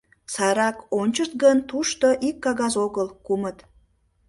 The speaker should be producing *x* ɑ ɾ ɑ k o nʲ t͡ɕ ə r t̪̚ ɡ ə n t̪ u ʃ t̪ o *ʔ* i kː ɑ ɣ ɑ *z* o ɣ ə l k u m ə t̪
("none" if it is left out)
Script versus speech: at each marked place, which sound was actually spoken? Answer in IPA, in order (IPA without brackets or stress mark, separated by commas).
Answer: s, ʔ, z